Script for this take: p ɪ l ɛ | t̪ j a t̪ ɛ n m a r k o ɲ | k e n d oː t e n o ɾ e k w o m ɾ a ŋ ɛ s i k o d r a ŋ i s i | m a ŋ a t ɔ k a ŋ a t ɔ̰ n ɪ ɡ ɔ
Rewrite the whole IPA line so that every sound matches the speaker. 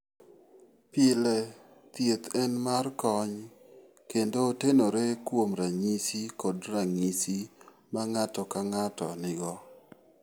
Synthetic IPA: p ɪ l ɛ | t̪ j e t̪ ɛ n m a r k ɔ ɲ | k e n d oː t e n o ɾ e k w o m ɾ a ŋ i s i k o d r a ŋ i s i | m a ŋ a t ɔ k a ŋ a t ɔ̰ n ɪ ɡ ɔ